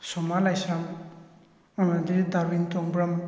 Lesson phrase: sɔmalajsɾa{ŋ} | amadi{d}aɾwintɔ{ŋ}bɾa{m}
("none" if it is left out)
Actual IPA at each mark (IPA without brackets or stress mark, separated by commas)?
ŋ, d, ŋ, m